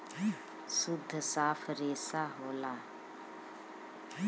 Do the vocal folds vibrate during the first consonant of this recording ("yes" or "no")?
no